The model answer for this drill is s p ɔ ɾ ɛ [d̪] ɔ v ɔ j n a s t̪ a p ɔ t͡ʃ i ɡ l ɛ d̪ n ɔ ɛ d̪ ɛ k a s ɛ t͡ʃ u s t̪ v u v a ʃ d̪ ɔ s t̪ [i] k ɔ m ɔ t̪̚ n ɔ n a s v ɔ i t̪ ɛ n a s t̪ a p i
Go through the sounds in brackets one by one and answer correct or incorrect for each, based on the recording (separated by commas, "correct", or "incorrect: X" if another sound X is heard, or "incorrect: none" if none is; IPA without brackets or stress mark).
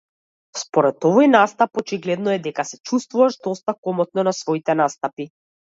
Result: incorrect: t̪, incorrect: a